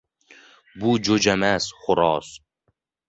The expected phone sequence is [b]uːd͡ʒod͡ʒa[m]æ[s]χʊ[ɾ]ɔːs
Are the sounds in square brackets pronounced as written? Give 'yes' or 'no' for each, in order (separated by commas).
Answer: yes, yes, yes, yes